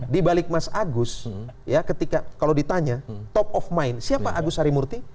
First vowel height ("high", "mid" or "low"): high